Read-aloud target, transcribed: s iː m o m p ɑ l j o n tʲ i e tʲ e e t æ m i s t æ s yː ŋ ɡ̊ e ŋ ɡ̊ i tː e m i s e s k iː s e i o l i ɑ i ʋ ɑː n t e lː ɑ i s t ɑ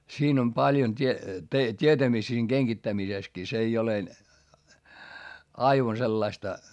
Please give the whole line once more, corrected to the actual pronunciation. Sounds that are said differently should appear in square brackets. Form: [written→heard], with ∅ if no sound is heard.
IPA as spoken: s iː [m→n] o m p ɑ l j o n tʲ i e tʲ [e→i] e t æ m i s t æ s [yː→iː] ŋ ɡ̊ e ŋ ɡ̊ i tː [e→æ] m i s e s k iː s e i o l [i→e] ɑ i ʋ [ɑː→ɑ] n [t→s] e lː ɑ i s t ɑ